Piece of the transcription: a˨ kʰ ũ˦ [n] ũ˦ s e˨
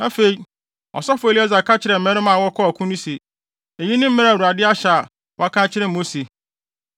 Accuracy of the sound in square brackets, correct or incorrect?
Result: correct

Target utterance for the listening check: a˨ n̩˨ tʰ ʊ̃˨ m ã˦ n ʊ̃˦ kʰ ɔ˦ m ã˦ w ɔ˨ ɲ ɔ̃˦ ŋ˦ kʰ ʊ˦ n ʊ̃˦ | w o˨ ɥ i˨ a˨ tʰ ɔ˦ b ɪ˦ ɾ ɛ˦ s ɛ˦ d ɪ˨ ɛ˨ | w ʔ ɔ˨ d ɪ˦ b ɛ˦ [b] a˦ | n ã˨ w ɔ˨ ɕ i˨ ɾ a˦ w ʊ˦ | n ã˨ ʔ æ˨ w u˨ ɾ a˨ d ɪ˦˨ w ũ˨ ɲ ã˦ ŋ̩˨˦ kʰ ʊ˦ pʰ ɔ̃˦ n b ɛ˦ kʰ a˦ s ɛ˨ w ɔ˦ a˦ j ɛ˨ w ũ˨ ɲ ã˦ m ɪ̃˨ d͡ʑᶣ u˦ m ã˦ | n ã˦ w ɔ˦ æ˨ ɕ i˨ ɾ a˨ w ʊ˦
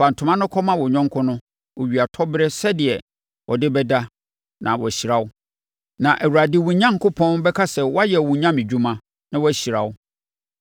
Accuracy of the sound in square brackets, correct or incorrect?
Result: incorrect: d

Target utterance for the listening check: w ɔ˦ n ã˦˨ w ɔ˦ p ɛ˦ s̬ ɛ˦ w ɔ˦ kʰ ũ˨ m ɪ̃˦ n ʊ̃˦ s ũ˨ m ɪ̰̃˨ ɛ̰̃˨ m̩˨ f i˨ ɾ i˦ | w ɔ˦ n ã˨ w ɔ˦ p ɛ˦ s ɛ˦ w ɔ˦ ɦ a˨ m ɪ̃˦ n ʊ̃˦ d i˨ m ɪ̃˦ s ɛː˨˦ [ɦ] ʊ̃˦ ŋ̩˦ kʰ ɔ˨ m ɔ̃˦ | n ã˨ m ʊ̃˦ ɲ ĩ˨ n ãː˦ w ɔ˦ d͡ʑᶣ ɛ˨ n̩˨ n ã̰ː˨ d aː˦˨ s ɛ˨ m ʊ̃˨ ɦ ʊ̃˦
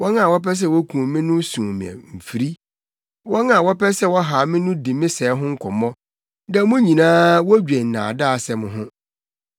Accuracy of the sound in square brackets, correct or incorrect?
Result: correct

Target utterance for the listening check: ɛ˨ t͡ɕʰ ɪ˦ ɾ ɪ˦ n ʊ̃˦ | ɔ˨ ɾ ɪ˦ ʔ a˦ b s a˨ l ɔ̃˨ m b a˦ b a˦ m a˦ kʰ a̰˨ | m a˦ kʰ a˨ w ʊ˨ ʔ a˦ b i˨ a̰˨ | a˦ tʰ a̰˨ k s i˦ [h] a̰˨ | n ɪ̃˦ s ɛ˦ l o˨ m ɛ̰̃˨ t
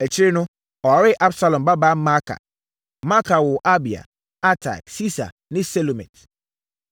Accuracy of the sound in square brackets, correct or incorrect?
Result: incorrect: s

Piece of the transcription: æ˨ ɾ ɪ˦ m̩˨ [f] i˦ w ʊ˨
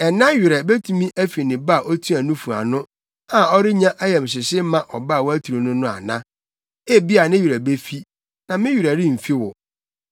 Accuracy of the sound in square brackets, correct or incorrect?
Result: correct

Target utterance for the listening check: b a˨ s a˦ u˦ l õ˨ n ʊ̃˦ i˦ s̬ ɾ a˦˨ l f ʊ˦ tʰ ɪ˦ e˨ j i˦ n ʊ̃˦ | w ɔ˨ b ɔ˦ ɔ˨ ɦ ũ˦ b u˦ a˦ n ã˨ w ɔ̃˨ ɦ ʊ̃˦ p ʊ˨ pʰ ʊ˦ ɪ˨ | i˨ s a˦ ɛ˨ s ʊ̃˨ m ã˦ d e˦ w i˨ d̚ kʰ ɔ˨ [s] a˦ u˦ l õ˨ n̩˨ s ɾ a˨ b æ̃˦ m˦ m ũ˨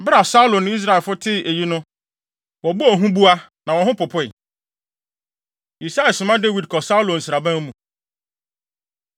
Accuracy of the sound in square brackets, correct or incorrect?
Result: correct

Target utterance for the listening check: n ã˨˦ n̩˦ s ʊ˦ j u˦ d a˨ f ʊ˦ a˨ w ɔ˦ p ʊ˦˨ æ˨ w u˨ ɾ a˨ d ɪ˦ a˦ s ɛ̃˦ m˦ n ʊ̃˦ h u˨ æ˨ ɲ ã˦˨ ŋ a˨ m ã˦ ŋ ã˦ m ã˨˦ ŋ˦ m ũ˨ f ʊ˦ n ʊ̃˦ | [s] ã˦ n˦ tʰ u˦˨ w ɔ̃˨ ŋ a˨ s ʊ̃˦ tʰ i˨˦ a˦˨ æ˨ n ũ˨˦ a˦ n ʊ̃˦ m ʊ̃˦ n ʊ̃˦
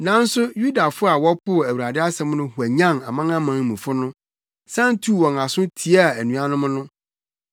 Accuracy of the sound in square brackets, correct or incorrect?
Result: correct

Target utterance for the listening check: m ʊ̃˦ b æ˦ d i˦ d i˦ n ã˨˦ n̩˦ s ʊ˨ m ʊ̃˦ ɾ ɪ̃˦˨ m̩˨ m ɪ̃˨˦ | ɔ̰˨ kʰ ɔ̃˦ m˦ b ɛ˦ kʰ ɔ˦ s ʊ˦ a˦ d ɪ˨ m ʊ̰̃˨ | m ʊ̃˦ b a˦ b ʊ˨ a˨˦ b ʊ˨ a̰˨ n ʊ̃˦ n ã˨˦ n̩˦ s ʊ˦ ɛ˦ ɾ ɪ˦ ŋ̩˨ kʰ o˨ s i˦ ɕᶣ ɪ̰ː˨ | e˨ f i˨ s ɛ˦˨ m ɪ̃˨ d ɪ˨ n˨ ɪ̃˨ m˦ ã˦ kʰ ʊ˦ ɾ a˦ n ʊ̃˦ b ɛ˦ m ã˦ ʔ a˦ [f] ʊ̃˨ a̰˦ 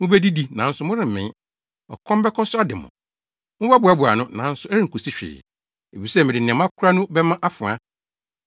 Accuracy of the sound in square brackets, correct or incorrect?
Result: correct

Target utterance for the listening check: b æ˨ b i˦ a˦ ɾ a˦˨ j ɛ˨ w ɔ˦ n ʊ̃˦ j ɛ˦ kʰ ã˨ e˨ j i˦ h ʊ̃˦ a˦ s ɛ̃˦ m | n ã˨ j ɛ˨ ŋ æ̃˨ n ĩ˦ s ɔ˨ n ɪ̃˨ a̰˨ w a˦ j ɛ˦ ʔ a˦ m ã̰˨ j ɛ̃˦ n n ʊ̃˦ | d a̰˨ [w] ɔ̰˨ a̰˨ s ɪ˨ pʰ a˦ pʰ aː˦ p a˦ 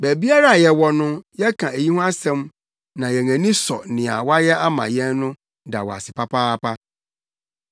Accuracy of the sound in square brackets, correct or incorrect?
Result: correct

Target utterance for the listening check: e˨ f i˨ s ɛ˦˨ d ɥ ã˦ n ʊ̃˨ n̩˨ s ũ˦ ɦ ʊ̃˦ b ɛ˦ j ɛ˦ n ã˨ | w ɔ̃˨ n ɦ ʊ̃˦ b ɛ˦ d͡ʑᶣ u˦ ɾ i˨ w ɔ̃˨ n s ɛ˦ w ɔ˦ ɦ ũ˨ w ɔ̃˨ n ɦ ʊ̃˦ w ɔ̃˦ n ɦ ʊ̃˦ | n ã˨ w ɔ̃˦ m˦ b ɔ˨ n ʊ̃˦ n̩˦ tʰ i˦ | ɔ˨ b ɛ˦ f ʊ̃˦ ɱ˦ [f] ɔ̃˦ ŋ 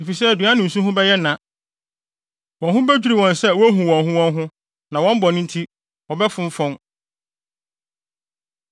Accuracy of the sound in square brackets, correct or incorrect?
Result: correct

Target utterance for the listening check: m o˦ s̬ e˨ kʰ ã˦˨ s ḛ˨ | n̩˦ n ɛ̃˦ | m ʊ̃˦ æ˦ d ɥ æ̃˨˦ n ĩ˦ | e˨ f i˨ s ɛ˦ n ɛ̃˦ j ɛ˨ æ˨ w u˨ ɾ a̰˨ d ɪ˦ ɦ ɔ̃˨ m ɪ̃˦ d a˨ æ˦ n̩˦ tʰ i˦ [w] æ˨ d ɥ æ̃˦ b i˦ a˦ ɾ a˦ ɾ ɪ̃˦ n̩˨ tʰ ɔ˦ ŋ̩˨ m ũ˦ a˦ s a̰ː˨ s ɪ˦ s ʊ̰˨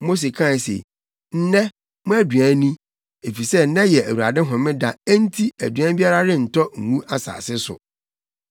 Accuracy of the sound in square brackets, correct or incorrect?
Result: incorrect: none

